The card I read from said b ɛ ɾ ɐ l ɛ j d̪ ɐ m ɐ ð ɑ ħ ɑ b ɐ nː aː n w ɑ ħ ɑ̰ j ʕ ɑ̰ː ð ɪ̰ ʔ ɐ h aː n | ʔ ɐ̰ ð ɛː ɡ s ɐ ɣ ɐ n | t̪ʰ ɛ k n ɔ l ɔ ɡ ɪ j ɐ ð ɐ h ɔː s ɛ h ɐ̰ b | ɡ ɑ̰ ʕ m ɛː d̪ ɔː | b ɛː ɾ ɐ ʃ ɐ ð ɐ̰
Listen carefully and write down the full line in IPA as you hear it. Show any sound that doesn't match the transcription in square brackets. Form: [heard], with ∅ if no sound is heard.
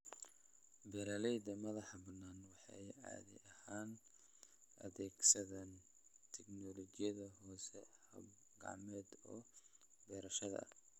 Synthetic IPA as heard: b ɛ ɾ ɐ l ɛ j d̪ ɐ m ɐ ð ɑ ħ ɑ b ɐ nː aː n w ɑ ħ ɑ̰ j ʕ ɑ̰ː ð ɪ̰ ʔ ɐ h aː n | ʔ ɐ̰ ð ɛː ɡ s ɐ [ð] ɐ n | t̪ʰ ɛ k n ɔ l ɔ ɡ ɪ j ɐ ð ɐ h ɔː s ɛ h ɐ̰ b | ɡ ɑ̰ ʕ m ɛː d̪ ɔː | b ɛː ɾ ɐ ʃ ɐ ð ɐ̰